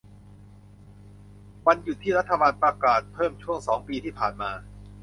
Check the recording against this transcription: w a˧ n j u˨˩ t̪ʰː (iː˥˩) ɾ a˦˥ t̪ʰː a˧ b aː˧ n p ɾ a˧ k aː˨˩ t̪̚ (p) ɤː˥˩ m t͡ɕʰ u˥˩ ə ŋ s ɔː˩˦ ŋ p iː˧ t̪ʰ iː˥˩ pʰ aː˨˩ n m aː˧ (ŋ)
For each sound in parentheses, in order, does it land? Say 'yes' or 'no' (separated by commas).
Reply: yes, no, no